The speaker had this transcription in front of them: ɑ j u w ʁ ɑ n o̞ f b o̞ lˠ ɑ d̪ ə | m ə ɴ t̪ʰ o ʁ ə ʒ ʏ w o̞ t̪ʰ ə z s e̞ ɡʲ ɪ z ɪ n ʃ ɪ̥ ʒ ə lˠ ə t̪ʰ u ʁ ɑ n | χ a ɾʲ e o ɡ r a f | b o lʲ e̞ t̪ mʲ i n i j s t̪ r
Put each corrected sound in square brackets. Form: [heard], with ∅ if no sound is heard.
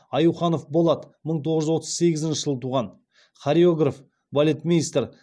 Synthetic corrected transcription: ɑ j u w [χ] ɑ n o̞ f b o̞ lˠ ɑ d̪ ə | m ə ɴ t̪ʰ o ʁ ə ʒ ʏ w o̞ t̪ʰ ə z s e̞ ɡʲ ɪ z ɪ n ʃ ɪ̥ ʒ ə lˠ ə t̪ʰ u ʁ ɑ n | χ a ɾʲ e o ɡ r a f | b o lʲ e̞ t̪ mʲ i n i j s t̪ r